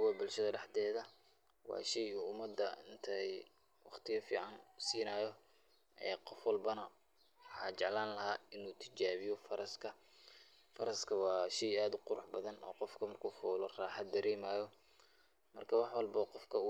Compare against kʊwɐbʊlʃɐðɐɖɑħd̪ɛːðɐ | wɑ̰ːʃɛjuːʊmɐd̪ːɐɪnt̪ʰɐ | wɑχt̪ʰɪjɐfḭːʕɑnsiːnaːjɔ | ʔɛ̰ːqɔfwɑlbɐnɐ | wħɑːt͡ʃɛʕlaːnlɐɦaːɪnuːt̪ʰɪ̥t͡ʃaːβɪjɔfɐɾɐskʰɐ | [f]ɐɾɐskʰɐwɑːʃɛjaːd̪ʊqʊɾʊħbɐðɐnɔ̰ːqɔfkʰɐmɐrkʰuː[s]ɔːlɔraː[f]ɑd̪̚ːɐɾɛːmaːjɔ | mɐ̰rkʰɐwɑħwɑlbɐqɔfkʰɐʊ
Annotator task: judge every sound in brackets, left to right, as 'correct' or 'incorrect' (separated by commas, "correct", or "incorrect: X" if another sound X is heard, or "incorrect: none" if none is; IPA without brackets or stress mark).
correct, incorrect: f, incorrect: ħ